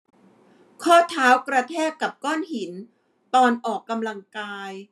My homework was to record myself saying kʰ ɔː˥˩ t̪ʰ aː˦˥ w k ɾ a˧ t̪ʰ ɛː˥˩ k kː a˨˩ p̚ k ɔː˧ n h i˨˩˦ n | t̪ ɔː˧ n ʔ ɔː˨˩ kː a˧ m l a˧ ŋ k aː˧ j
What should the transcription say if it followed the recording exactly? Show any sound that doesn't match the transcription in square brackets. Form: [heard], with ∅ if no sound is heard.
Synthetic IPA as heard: kʰ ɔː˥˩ t̪ʰ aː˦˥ w k ɾ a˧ t̪ʰ ɛː˥˩ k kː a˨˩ p̚ k [ɔː˥˩] n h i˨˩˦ n | t̪ ɔː˧ n ʔ ɔː˨˩ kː a˧ m l a˧ ŋ k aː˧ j